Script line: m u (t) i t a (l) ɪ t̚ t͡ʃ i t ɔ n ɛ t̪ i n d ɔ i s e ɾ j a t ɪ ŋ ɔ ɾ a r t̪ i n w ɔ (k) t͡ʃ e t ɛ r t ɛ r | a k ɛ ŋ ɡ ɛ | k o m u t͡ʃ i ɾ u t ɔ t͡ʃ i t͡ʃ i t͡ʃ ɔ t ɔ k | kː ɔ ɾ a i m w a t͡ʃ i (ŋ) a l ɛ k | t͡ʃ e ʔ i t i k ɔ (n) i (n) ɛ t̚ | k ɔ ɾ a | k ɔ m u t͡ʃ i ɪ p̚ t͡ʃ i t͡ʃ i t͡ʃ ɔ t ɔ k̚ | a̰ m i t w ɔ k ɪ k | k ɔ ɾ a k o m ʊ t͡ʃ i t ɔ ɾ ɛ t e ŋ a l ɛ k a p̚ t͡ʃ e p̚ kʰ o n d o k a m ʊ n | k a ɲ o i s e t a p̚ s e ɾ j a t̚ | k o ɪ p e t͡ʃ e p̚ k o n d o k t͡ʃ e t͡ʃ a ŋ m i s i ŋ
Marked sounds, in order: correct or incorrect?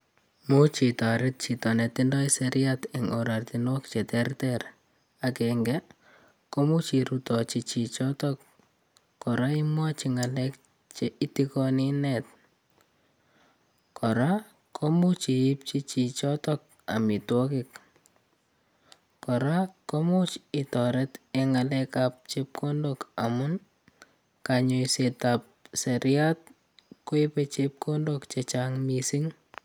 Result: incorrect, incorrect, correct, correct, correct, correct

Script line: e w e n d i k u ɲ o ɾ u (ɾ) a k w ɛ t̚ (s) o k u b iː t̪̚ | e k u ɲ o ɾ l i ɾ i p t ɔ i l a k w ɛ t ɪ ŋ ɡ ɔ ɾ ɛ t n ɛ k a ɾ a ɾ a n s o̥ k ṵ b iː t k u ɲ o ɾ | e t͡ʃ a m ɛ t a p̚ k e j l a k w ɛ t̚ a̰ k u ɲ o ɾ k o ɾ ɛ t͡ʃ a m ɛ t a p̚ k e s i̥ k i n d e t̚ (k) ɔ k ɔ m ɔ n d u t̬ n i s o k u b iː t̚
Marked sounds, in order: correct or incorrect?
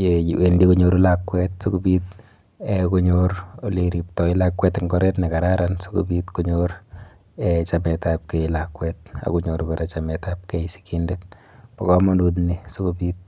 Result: incorrect, correct, incorrect

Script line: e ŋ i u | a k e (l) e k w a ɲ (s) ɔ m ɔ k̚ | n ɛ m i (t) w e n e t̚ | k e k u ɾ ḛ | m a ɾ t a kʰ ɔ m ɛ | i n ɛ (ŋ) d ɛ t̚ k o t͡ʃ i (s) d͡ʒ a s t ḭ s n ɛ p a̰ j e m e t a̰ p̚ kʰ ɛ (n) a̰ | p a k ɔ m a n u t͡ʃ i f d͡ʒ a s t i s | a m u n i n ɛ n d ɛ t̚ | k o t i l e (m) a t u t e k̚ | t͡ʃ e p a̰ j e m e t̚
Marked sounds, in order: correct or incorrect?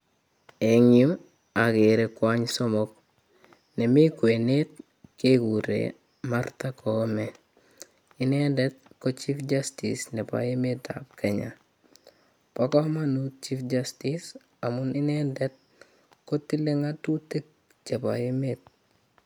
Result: incorrect, correct, incorrect, incorrect, incorrect, incorrect, incorrect

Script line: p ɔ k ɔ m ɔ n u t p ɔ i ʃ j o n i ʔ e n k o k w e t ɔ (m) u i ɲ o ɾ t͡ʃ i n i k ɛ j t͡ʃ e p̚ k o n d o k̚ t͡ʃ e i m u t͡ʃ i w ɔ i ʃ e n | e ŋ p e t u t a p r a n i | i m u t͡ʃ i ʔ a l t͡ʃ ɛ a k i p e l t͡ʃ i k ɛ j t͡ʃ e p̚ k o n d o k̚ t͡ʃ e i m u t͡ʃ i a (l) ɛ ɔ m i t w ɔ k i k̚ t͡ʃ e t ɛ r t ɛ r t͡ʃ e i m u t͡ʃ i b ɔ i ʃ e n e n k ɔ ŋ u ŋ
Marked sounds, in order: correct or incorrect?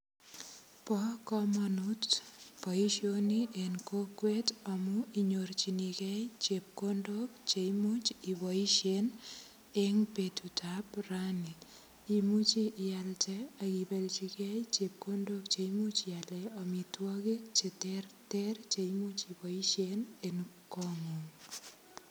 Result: correct, correct

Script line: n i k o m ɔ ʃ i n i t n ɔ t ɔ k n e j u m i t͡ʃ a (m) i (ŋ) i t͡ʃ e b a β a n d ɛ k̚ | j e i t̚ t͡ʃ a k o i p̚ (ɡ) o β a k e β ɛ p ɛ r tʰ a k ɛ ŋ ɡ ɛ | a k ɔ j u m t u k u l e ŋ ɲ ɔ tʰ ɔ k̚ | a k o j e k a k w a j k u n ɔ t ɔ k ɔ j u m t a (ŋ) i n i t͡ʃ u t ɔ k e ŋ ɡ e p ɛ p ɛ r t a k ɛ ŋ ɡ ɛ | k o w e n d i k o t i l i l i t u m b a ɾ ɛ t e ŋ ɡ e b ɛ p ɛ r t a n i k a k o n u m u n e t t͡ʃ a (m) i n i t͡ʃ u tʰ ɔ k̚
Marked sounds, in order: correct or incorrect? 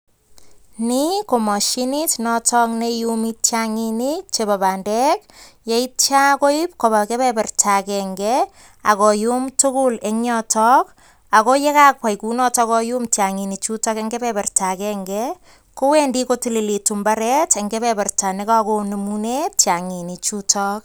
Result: incorrect, incorrect, incorrect, correct, incorrect

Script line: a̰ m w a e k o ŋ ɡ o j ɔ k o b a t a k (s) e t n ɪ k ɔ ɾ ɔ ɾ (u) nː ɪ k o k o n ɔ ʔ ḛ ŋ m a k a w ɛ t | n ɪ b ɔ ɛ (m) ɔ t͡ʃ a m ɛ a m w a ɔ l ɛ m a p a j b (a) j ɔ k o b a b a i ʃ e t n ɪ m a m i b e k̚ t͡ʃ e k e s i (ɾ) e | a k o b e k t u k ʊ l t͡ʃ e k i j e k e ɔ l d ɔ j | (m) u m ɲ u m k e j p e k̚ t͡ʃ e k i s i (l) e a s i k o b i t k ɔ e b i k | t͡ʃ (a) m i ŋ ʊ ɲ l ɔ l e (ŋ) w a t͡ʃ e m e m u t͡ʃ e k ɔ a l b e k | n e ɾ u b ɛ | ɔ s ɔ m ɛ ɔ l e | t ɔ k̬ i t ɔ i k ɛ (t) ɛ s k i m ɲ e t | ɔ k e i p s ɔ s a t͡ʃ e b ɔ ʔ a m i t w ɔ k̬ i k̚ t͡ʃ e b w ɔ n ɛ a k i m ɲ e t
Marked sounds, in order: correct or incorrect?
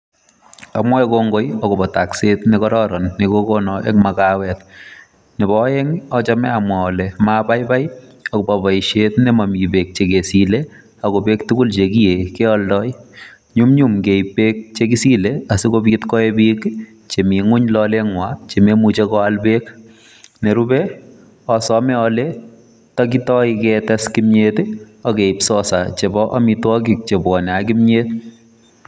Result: correct, incorrect, incorrect, correct, incorrect, incorrect, correct, incorrect, correct, correct

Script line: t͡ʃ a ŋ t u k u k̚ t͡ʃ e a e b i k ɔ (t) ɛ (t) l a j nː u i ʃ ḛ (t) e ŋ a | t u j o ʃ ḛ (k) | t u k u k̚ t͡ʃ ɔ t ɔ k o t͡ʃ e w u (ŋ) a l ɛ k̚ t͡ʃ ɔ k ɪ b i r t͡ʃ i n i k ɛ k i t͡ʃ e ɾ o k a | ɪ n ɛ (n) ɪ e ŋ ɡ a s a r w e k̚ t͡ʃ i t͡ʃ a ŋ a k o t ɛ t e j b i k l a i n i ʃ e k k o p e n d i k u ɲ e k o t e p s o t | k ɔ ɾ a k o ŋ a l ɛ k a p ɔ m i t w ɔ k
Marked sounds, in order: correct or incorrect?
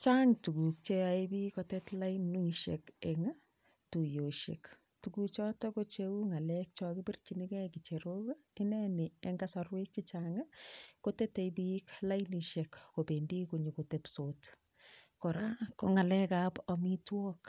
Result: correct, correct, incorrect, correct, correct, correct

